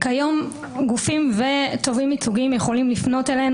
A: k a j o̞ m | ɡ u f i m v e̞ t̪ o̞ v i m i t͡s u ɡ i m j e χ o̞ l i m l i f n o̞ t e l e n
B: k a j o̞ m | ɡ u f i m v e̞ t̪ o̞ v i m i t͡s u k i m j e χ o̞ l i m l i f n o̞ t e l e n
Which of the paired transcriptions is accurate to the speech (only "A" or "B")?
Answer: A